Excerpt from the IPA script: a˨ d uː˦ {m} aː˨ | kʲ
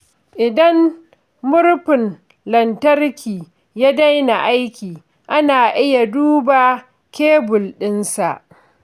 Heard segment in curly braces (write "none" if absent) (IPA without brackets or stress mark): b